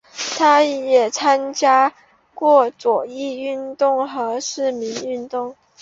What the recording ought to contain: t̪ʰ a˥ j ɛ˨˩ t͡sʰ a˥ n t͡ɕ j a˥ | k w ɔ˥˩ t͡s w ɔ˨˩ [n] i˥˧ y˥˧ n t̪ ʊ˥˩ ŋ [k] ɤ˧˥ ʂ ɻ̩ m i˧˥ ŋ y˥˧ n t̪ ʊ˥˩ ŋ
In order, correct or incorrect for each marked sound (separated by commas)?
incorrect, incorrect